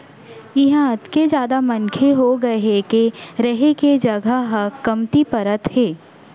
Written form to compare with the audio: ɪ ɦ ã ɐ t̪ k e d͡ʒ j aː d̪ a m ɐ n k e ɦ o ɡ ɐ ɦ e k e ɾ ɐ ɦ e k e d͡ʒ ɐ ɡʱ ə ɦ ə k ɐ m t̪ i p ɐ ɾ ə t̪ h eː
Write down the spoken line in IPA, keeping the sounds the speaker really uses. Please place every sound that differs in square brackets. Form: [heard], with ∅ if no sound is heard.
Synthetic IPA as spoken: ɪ ɦ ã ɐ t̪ k e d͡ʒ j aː d̪ a m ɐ n [kʰ] e ɦ o ɡ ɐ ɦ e k e ɾ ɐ ɦ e k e d͡ʒ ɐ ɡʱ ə ɦ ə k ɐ m t̪ i p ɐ ɾ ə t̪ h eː